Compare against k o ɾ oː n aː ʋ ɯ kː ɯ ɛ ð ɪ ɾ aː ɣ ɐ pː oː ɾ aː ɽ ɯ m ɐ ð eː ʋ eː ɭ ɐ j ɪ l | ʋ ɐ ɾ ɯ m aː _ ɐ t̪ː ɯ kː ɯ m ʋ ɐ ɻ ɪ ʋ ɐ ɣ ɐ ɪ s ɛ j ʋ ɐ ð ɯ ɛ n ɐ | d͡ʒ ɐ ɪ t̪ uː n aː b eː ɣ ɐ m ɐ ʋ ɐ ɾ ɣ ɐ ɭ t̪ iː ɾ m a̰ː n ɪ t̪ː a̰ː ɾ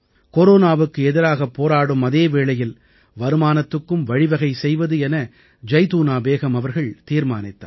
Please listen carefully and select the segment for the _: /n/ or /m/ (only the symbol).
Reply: n